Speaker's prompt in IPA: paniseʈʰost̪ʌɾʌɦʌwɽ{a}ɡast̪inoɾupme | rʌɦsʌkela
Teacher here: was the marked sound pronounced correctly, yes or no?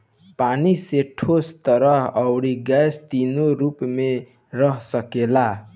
no